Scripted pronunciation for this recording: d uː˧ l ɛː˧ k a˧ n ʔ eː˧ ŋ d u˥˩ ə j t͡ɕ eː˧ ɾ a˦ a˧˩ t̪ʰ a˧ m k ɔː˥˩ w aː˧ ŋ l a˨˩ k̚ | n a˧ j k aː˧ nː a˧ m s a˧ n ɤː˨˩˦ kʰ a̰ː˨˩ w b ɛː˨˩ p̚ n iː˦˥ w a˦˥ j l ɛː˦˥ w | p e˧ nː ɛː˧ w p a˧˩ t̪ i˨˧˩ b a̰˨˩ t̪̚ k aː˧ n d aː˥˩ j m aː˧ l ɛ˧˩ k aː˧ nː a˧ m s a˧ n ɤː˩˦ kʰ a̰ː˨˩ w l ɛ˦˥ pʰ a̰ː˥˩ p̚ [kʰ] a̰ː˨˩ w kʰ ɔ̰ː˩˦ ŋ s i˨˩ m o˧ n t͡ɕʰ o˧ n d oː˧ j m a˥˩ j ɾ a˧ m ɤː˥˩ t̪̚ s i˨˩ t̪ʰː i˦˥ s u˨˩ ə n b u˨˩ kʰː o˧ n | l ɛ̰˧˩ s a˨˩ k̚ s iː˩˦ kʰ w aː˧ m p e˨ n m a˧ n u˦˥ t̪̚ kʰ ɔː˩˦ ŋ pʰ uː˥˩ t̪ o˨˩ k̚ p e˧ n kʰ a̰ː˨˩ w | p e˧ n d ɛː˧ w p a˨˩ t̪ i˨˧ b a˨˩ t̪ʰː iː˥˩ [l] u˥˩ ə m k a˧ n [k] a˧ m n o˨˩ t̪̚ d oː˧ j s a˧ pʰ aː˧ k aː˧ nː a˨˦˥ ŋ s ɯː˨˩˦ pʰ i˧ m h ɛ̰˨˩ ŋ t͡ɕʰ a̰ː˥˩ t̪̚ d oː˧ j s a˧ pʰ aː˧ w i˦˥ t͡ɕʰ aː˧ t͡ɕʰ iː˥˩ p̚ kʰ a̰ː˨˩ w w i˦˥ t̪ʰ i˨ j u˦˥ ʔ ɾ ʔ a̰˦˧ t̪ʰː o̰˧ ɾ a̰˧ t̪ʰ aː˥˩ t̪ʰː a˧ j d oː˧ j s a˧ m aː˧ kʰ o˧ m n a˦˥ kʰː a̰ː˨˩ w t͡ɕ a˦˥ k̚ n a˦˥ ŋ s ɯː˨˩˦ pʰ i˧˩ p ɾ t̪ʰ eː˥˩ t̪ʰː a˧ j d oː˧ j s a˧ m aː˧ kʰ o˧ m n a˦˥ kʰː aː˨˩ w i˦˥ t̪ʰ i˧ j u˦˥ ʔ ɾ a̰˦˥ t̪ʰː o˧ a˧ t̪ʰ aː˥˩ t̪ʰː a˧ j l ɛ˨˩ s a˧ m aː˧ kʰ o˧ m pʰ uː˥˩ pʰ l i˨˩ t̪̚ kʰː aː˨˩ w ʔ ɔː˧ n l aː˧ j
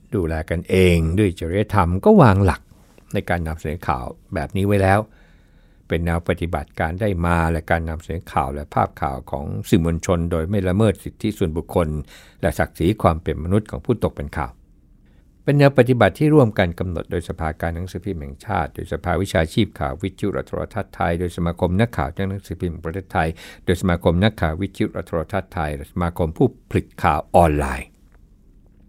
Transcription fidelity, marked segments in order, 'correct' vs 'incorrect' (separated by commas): correct, incorrect, correct